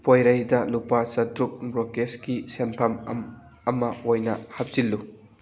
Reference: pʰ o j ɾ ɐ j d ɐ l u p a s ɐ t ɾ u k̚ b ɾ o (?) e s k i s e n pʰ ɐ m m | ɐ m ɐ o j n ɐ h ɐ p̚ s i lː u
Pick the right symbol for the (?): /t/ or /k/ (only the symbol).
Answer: k